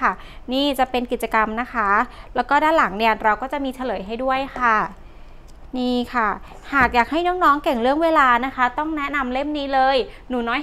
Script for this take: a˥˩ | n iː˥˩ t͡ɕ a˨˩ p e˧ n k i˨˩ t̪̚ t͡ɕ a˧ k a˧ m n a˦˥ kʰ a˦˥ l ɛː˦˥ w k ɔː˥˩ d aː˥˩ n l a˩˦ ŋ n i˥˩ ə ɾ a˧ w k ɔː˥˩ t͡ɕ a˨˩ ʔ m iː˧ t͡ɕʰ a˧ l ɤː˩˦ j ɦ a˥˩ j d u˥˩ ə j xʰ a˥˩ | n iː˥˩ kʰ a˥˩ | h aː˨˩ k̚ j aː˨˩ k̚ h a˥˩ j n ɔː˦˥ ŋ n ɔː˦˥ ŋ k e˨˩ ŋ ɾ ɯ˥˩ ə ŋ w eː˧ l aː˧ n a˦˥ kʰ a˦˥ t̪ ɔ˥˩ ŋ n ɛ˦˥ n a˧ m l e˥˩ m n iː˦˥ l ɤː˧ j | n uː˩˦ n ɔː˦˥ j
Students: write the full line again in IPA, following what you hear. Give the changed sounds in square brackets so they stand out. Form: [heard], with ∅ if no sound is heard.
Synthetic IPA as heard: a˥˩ | n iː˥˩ t͡ɕ a˨˩ p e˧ n k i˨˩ t̪̚ t͡ɕ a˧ k a˧ m n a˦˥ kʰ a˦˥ l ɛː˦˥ w k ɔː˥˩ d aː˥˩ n l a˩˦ ŋ n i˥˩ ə ɾ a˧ w k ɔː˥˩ t͡ɕ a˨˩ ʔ m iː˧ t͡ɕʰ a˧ l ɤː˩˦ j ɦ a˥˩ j d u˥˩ ə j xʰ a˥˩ | n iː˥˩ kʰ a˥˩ | h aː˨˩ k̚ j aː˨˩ k̚ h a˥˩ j n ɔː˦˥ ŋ n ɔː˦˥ ŋ k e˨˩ ŋ ɾ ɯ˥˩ ə ŋ w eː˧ l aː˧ n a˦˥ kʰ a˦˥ t̪ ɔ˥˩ ŋ n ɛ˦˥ n a˧ m l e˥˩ m n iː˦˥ l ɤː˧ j | n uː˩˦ n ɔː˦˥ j